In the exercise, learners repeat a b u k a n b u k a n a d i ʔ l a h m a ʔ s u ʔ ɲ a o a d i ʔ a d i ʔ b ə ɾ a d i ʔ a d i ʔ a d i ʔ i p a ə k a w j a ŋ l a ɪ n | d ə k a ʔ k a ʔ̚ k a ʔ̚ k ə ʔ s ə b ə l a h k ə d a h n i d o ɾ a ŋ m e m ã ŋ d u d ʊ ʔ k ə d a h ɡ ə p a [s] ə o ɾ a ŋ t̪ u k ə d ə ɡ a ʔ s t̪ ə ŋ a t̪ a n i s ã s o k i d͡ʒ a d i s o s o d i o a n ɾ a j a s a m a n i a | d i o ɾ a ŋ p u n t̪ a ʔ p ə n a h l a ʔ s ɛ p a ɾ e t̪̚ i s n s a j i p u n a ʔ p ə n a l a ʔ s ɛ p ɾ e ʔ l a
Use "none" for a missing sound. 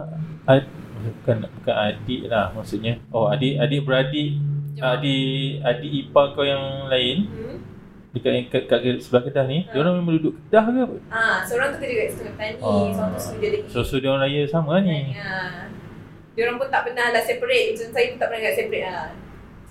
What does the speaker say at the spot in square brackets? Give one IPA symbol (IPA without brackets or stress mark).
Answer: s